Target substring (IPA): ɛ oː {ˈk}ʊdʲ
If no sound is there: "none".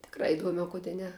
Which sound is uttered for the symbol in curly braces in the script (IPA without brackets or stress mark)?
k